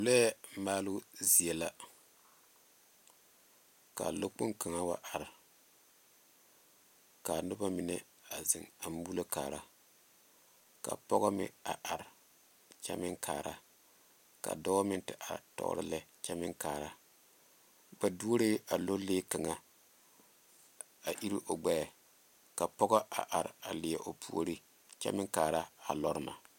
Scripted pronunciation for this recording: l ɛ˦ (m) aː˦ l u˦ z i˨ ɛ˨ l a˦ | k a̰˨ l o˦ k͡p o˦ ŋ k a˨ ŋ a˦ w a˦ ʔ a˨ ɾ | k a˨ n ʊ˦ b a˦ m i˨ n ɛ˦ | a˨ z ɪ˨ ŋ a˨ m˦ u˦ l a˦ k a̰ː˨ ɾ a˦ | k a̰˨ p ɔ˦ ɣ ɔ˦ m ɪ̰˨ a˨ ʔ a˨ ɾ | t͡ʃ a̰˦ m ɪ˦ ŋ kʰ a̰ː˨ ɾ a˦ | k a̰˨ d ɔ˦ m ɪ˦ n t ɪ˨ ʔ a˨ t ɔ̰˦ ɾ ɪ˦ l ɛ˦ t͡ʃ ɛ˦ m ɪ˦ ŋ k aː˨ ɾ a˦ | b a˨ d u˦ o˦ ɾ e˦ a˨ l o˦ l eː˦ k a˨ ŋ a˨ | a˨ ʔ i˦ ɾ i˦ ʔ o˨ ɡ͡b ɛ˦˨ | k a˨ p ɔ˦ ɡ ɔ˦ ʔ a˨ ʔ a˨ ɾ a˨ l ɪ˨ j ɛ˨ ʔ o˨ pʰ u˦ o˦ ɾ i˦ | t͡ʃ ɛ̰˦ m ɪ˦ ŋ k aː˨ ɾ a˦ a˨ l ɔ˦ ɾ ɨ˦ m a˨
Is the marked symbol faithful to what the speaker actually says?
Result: yes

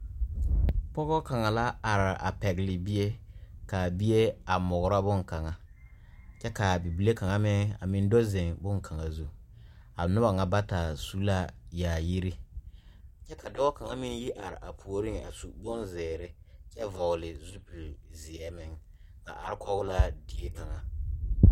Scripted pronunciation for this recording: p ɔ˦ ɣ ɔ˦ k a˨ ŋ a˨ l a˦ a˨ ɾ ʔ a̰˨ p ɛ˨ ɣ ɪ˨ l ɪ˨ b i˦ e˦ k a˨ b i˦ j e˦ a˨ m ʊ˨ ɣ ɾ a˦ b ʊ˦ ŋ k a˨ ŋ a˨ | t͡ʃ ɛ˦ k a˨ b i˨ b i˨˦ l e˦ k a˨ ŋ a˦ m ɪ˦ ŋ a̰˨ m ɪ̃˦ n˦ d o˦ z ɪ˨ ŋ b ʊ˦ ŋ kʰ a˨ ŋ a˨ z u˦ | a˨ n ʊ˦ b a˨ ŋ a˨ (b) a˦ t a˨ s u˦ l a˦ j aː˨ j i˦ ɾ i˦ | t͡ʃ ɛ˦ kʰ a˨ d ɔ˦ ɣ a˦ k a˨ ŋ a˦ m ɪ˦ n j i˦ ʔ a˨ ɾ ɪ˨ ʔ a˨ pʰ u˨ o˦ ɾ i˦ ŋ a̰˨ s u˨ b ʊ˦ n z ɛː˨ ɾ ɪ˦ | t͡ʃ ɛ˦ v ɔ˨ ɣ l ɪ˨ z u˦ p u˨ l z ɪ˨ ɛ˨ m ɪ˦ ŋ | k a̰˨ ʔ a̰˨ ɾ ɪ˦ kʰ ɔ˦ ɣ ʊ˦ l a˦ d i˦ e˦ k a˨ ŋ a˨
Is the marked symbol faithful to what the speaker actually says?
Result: yes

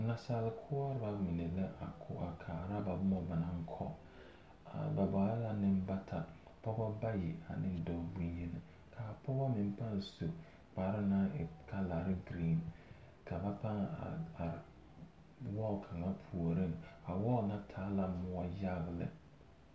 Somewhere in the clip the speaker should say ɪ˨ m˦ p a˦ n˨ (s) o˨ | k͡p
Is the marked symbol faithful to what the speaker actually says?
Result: yes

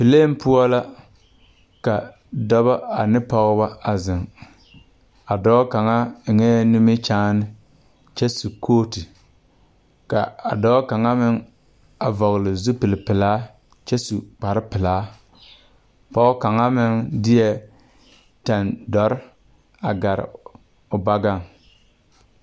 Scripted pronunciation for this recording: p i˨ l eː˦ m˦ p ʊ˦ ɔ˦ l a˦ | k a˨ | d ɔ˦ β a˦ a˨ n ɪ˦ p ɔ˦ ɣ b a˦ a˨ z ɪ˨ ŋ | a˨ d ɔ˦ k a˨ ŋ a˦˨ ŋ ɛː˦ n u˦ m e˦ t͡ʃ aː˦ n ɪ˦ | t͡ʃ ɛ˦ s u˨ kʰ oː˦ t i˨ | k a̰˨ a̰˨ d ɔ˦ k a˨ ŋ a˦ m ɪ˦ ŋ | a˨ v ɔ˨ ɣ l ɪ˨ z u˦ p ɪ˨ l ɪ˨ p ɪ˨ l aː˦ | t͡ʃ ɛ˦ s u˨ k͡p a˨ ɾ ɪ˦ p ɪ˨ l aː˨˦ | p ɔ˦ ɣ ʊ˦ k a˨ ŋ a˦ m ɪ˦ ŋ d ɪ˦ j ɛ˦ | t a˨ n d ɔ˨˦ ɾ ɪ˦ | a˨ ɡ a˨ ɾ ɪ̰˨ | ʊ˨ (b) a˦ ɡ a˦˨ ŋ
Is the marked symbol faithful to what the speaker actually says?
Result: yes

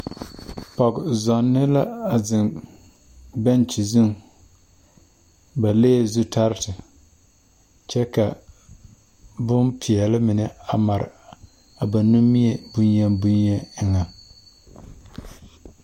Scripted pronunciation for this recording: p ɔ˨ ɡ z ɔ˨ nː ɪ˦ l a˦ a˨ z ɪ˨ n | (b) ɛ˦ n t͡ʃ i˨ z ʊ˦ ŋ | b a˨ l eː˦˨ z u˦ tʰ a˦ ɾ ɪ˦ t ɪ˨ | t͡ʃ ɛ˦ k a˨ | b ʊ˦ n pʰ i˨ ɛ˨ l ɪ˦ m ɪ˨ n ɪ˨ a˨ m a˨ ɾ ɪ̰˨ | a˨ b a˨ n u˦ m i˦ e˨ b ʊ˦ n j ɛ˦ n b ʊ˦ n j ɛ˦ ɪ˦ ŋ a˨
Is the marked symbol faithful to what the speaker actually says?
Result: yes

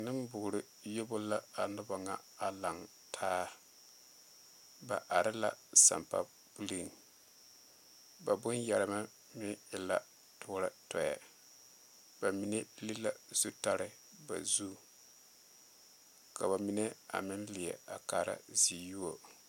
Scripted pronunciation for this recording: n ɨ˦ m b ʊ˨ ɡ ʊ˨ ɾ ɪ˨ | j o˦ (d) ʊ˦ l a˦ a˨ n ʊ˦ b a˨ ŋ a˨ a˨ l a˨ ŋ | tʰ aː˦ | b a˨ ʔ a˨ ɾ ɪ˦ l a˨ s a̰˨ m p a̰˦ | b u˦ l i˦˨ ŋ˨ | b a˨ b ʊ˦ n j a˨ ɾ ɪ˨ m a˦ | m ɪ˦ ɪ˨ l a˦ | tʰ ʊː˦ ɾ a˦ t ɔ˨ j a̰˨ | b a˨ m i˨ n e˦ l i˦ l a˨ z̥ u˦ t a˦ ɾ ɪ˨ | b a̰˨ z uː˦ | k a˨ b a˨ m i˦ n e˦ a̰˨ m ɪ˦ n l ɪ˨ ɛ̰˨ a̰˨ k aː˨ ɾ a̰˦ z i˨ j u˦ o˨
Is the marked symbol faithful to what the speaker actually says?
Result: no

